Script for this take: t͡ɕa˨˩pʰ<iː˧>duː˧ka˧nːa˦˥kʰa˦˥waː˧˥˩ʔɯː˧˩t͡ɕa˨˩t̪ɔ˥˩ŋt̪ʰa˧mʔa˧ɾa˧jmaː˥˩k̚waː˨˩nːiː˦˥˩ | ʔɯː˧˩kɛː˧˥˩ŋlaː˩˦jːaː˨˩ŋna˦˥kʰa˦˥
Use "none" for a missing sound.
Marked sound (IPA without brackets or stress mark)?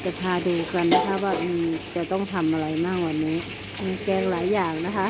aː˧